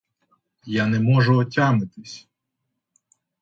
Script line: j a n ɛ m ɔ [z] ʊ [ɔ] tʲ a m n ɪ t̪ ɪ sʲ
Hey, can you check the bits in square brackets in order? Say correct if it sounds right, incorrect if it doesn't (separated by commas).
incorrect, correct